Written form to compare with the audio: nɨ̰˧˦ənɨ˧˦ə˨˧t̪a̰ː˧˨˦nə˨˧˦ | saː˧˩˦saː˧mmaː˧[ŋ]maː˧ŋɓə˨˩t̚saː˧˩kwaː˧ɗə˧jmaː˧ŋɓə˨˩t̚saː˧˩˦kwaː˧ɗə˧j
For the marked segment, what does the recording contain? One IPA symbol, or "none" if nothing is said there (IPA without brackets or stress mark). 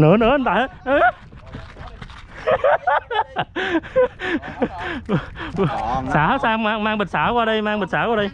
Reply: ŋ